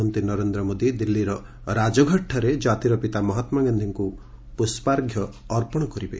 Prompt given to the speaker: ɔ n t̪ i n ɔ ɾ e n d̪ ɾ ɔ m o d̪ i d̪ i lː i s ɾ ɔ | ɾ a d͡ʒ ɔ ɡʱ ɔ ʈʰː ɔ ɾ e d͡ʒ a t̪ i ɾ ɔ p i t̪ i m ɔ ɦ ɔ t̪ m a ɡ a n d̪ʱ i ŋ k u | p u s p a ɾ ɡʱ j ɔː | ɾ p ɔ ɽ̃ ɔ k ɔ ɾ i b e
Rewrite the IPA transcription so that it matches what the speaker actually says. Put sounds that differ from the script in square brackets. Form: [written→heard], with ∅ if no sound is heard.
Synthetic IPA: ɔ n t̪ i n ɔ ɾ e n d̪ ɾ ɔ m o d̪ i d̪ i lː i [s→∅] ɾ ɔ | ɾ a d͡ʒ ɔ ɡʱ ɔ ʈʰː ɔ ɾ e d͡ʒ a t̪ i ɾ ɔ p i t̪ [i→a] m ɔ ɦ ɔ t̪ m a ɡ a n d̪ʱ i ŋ k u | p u s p a ɾ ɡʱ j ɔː | ɾ p ɔ ɽ̃ ɔ k ɔ ɾ i b e